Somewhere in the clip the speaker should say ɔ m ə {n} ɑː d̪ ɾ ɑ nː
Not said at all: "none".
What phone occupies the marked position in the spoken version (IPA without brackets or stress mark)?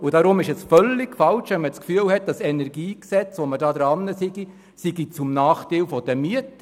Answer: d